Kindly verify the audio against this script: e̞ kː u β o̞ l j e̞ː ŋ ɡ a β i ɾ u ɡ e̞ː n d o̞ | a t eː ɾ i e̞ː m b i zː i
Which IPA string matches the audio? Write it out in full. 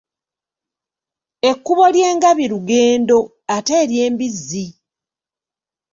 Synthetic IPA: e̞ kː u β o̞ l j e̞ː ŋ ɡ a β i ɾ u ɡ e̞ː n d o̞ | a t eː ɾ j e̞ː m b i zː i